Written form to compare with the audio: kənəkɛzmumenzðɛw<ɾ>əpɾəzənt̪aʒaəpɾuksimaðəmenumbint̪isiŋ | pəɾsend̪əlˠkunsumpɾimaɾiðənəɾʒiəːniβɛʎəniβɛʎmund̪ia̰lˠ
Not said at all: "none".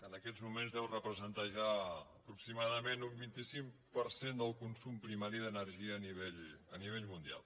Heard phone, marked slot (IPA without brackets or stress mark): r